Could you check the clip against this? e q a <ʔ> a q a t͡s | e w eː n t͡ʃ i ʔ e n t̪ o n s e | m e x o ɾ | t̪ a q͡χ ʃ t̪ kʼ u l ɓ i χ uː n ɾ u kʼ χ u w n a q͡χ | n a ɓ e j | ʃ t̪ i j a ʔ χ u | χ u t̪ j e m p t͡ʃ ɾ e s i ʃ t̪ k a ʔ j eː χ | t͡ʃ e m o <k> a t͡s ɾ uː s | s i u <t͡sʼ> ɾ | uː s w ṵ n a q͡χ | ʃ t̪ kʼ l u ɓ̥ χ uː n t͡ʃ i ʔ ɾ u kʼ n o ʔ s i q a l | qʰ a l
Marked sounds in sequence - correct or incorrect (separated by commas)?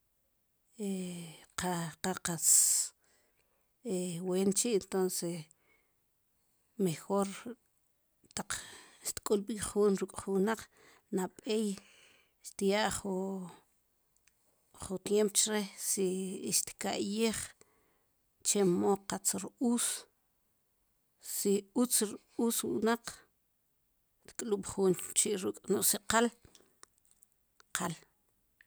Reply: incorrect, incorrect, incorrect